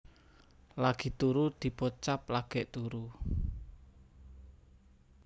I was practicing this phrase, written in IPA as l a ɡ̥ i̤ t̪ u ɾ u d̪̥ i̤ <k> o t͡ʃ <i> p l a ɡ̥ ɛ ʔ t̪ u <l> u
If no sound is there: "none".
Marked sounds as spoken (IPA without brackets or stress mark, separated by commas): p, a, ɾ